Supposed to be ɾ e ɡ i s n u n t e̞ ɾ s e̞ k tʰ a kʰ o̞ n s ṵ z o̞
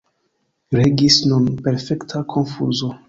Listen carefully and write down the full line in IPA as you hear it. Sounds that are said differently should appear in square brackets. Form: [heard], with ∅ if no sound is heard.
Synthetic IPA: ɾ e ɡ i s n u n [p] e̞ ɾ [f] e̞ k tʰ a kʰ o̞ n [f] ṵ z o̞